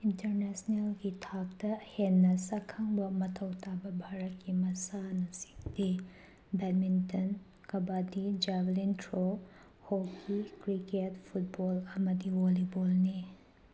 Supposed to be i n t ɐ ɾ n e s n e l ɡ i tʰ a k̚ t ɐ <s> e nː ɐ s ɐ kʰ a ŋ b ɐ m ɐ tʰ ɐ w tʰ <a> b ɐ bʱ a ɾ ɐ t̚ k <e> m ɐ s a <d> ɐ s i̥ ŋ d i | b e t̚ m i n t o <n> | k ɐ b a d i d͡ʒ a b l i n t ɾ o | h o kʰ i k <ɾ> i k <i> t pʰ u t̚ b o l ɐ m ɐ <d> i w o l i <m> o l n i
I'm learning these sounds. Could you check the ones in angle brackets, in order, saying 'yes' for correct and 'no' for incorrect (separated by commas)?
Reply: no, yes, no, no, yes, yes, no, yes, no